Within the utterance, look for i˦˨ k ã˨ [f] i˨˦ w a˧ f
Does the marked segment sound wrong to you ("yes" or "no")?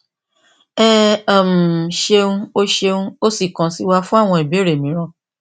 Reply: yes